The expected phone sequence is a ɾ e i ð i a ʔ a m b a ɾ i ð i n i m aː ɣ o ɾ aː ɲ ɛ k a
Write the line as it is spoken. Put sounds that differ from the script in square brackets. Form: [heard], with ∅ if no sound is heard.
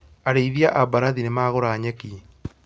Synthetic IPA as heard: a ɾ e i ð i a ʔ a [∅] b a ɾ [a] ð i n [e] m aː ɣ o ɾ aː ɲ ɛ k [i]